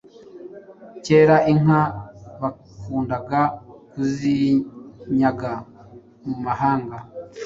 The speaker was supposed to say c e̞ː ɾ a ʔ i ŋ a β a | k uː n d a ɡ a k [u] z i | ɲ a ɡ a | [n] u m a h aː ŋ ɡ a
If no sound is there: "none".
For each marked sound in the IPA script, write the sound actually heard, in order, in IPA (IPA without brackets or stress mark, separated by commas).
u, m